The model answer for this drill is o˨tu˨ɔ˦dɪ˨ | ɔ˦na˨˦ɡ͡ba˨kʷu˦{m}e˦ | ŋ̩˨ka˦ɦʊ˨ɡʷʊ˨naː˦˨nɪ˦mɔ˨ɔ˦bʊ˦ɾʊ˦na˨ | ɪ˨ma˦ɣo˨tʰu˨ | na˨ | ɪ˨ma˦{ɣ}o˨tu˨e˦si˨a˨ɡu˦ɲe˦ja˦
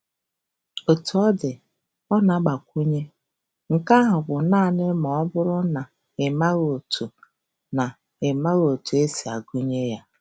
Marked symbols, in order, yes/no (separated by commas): no, yes